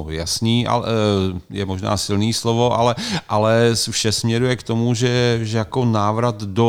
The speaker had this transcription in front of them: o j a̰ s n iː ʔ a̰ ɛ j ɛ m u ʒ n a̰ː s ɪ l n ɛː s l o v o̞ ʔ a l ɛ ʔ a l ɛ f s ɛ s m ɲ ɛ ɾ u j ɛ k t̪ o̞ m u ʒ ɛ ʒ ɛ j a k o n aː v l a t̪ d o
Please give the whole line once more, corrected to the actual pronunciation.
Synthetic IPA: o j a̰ s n iː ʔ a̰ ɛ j ɛ m o ʒ n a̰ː s ɪ l n iː s l o v o̞ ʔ a l ɛ ʔ a l ɛ f ʃ ɛ s m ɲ ɛ ɾ u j ɛ k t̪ o̞ m u ʒ ɛ ʒ ɛ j a k o n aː v ɾ a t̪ d o